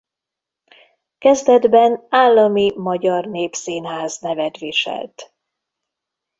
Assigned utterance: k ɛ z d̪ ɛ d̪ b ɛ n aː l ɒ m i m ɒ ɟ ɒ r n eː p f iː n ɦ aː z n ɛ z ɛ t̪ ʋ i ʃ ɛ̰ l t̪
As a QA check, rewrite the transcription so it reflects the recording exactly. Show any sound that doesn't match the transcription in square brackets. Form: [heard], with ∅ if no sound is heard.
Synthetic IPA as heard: k ɛ z d̪ ɛ d̪ b ɛ n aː [lː] ɒ m i m ɒ ɟ ɒ r n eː p [s] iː n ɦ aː z n ɛ [v] ɛ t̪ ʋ i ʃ ɛ̰ l t̪